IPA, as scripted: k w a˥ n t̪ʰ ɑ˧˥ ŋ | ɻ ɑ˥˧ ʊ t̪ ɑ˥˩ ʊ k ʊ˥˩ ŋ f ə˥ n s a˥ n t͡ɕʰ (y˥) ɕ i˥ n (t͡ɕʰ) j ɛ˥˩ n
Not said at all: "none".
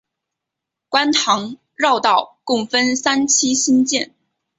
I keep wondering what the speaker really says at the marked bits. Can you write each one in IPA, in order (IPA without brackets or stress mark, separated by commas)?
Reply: i˥, t͡ɕ